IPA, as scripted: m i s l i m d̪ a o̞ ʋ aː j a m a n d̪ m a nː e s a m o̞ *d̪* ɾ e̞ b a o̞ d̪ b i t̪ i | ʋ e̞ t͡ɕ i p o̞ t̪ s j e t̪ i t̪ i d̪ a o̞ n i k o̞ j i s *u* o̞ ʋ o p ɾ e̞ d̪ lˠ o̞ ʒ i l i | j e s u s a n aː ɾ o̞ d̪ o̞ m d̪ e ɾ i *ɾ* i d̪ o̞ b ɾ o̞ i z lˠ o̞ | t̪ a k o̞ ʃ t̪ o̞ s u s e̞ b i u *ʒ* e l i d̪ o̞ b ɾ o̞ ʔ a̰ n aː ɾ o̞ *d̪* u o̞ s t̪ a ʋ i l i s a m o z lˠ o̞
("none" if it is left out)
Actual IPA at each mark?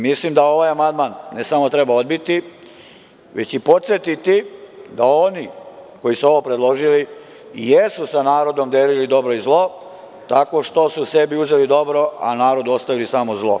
t̪, u, l, z, d̪

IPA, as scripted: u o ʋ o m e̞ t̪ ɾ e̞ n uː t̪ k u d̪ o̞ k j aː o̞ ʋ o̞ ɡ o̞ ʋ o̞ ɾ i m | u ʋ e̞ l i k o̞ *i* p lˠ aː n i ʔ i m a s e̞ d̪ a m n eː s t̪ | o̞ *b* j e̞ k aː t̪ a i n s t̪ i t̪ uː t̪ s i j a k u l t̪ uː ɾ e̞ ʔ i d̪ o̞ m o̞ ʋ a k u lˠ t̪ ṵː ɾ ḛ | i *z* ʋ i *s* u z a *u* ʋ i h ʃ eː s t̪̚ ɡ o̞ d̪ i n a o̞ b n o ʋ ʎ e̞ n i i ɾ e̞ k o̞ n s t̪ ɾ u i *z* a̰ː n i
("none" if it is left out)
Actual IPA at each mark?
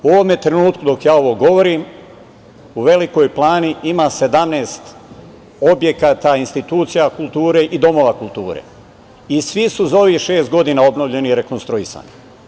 j, b, s, s, o, s

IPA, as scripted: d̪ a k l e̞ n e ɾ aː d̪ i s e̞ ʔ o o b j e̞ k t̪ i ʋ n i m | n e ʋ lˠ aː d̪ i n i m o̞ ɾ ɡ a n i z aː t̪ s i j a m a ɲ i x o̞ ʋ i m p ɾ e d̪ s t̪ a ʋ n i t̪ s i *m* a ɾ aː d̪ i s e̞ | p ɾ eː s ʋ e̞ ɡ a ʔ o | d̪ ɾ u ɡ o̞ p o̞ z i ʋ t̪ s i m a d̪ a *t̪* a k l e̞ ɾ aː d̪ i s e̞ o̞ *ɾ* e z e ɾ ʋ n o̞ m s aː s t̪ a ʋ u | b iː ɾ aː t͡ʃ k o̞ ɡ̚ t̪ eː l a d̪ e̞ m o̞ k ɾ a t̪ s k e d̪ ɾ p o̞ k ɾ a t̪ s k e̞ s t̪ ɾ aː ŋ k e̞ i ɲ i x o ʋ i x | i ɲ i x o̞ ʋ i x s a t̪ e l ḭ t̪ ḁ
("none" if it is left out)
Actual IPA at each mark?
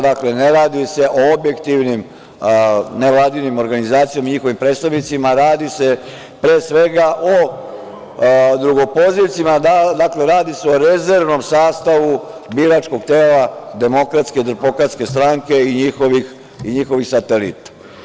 m, d̪, ɾ

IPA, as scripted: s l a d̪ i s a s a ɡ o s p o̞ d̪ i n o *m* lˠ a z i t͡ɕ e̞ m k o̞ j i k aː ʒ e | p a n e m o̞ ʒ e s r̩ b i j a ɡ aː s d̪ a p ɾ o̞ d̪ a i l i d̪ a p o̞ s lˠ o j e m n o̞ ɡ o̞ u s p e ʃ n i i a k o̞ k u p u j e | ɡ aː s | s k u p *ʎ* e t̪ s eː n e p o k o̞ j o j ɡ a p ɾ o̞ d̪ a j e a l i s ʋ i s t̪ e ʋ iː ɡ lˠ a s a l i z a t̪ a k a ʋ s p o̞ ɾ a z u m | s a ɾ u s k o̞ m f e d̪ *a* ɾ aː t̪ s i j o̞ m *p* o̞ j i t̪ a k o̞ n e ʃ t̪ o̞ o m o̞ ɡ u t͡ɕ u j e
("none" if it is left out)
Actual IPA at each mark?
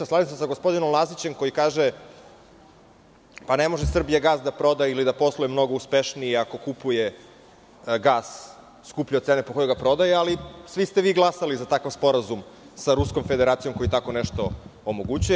m, ʎ, e, k

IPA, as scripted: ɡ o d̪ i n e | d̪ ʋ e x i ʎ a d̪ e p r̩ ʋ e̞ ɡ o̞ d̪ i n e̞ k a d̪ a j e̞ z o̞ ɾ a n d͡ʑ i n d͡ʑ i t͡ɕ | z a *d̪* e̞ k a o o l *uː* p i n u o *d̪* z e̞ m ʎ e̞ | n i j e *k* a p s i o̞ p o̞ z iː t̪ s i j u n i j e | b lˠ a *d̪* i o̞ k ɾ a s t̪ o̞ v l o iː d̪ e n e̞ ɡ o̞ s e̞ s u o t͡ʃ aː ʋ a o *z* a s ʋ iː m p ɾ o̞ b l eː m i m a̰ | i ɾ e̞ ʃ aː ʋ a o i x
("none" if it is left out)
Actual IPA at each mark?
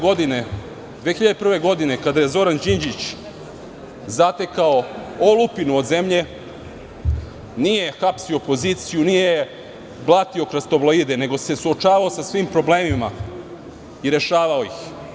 t̪, u, d̪, x, t̪, s

